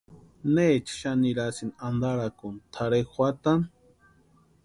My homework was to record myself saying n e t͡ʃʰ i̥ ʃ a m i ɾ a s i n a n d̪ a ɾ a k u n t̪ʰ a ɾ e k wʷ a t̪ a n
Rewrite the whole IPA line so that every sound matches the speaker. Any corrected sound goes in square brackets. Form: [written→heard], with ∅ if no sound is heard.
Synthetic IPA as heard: n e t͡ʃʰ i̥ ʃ a [m→n] i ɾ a s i n a n d̪ a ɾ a k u n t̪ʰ a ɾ e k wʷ a t̪ a n